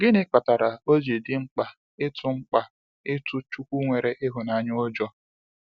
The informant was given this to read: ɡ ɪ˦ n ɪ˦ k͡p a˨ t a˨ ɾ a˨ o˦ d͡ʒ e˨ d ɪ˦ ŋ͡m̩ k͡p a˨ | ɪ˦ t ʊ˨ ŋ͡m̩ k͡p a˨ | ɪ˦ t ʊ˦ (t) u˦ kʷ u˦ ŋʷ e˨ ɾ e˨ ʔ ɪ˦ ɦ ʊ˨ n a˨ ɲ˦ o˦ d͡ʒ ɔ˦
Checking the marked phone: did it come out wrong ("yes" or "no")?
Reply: yes